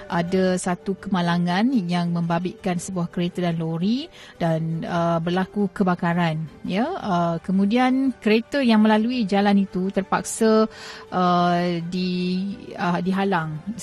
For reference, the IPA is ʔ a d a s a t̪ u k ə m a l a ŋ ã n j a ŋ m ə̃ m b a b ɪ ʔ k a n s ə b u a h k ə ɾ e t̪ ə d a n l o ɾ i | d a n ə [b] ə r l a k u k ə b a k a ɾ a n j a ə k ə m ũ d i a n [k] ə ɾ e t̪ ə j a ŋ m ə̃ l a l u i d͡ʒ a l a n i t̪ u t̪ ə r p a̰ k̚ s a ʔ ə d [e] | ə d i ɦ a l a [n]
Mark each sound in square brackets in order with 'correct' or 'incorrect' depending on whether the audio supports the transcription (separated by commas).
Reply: correct, correct, incorrect, incorrect